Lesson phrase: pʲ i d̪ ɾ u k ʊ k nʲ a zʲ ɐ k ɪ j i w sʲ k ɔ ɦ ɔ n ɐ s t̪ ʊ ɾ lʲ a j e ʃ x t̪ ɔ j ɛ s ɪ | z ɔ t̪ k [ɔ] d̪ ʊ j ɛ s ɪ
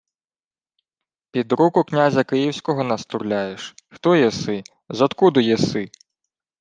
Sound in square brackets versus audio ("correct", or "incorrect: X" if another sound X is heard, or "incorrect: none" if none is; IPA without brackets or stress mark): incorrect: u